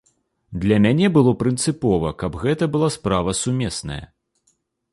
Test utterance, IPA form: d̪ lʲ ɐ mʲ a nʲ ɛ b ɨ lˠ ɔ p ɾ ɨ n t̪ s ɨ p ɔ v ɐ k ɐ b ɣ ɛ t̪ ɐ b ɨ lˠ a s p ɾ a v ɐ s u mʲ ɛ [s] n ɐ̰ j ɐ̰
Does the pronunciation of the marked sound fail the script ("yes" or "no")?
no